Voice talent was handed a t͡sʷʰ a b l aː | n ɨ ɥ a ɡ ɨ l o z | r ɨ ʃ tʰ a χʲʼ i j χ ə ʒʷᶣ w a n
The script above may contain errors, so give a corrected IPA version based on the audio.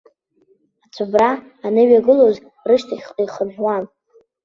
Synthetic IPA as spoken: a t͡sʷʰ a b r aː | n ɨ ɥ a ɡ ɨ l o z | r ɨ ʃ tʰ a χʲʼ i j χ ə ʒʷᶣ w a n